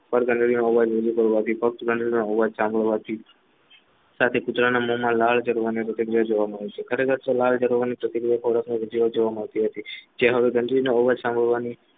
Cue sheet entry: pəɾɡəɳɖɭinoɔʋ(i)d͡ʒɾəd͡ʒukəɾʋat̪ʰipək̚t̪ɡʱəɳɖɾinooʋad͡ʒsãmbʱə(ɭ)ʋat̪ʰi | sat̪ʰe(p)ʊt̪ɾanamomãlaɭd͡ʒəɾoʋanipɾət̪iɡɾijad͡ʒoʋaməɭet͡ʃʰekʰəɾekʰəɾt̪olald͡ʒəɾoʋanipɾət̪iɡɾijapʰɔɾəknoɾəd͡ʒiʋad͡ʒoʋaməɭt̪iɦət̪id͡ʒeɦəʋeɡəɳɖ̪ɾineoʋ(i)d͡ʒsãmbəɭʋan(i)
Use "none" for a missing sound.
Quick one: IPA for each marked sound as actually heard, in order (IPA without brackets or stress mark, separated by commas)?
a, ɭ, k, a, i